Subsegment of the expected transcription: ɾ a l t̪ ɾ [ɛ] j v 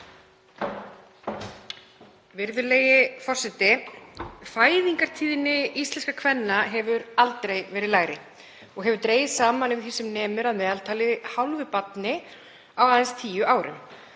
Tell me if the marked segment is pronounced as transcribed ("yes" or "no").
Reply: no